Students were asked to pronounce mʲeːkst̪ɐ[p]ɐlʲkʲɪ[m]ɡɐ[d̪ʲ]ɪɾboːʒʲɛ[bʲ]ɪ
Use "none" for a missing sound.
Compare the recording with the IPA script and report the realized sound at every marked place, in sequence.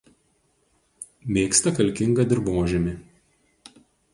k, ŋ, d̪ʲ, mʲ

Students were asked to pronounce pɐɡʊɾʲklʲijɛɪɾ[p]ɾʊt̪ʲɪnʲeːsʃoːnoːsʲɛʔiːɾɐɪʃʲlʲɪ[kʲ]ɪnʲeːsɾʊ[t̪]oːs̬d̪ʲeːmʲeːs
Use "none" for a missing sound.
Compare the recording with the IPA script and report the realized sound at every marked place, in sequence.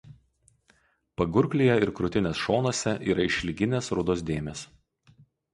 k, ɡʲ, d̪

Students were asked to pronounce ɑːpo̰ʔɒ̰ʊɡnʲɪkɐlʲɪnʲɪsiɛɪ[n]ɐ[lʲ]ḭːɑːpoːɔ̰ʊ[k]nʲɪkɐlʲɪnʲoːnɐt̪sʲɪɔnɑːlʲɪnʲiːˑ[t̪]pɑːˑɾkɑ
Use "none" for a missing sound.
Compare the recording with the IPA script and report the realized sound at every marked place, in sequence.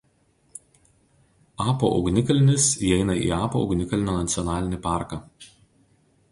n, none, ɡ, none

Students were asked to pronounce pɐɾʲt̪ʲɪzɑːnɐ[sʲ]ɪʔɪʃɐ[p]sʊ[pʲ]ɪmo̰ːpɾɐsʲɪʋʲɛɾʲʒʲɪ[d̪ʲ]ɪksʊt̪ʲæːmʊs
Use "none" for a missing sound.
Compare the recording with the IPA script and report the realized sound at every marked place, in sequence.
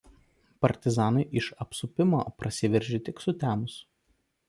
none, p, pʲ, t̪ʲ

